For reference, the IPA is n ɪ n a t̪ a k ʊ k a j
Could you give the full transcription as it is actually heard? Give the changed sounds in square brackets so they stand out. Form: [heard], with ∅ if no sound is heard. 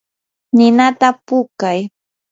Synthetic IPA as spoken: n ɪ n a t̪ a [p] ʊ k a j